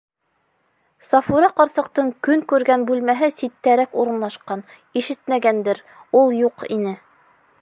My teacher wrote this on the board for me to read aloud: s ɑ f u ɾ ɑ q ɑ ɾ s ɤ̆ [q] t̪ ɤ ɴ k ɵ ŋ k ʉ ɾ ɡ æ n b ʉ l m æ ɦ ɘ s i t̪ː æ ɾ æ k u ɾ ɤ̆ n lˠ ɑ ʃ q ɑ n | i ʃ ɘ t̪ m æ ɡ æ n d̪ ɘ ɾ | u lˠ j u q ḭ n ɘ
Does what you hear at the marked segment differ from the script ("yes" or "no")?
no